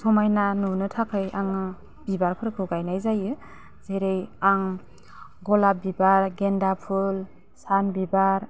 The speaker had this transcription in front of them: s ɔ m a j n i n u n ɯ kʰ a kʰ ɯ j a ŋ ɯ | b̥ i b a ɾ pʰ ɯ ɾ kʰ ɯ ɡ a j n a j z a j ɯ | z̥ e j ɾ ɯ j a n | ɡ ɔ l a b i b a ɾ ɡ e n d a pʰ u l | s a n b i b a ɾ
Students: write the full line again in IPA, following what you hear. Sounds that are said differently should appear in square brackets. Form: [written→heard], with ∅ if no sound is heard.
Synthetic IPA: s ɔ m a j n [i→a] n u n ɯ [kʰ→tʰ] a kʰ ɯ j a ŋ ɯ | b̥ i b a ɾ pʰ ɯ ɾ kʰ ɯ ɡ a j n a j z a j ɯ | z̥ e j ɾ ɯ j a [n→ŋ] | ɡ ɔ l a b i b a ɾ ɡ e n d a pʰ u l | s a n b i b a ɾ